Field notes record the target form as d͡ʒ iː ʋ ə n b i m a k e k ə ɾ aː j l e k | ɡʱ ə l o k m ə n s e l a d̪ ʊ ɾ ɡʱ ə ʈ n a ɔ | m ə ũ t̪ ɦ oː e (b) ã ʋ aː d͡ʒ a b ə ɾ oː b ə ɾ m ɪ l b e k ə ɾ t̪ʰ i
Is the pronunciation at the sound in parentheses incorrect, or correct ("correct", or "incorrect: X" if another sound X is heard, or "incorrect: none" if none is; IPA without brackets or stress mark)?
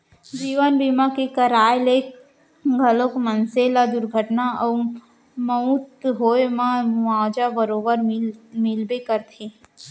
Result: incorrect: m